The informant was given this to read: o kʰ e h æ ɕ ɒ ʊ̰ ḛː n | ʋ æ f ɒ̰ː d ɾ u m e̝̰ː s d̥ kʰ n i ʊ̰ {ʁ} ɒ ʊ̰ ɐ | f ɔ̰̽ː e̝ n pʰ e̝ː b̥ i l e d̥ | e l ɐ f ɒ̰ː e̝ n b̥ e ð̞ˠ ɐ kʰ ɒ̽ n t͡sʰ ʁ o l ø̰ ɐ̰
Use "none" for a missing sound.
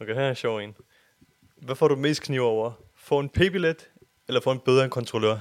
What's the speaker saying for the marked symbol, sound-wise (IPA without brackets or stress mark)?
none